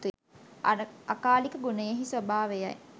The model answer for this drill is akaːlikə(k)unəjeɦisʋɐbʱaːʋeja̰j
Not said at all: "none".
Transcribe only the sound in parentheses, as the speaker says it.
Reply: ɡ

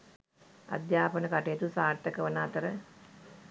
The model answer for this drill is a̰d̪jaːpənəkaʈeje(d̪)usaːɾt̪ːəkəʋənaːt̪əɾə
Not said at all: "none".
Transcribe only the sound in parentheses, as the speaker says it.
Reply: t̪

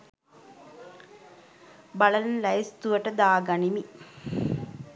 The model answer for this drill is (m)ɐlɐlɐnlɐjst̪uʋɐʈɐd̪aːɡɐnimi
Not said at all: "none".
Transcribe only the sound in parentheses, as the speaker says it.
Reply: b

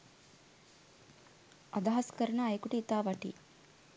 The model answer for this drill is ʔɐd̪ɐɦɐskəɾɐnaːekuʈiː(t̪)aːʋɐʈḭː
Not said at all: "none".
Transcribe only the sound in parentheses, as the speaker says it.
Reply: t̪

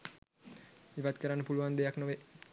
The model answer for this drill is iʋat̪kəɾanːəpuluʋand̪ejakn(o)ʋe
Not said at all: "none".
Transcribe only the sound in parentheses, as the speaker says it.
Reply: o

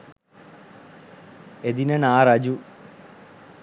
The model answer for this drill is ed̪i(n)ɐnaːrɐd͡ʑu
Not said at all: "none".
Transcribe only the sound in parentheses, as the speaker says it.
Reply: n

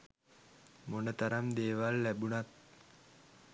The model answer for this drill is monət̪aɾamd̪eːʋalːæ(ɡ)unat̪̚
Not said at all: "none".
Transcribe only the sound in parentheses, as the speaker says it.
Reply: b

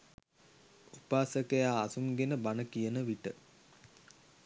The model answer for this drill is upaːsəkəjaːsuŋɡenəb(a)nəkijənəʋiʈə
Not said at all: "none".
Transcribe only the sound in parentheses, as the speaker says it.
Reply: a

